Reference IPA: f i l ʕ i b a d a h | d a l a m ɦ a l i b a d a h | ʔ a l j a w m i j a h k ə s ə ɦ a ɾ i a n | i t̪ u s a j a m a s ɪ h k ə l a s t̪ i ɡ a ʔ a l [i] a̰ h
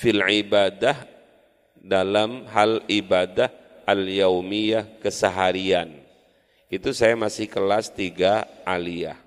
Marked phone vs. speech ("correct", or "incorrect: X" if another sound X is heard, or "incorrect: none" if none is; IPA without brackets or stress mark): correct